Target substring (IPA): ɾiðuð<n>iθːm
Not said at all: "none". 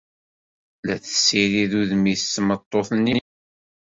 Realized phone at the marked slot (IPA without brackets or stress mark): m